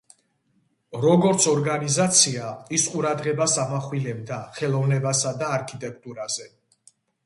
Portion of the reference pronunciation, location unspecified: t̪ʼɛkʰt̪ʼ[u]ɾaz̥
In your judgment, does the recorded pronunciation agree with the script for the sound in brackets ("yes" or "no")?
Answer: yes